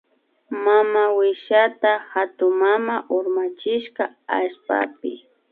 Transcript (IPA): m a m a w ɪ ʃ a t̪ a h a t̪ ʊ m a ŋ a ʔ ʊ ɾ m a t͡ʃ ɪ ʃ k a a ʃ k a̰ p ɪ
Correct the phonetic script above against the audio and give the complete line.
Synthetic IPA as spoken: m a m a w ɪ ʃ a t̪ a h a t̪ ʊ m a m a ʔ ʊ ɾ m a t͡ʃ ɪ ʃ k a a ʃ p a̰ p ɪ